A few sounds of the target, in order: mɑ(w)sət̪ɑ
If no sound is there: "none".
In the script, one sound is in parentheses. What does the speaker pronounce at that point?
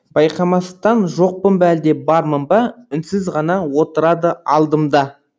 none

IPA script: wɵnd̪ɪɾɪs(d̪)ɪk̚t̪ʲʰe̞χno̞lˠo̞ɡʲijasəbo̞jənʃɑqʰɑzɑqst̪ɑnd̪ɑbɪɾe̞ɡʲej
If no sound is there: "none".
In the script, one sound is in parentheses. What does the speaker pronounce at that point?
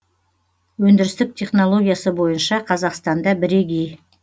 t̪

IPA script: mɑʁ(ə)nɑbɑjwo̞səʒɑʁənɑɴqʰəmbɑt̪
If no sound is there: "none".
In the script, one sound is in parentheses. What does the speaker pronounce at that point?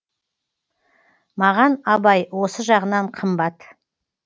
ɑ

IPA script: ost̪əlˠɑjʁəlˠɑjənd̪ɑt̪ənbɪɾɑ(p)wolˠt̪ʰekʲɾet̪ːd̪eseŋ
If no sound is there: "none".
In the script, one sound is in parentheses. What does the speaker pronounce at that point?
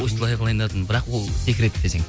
q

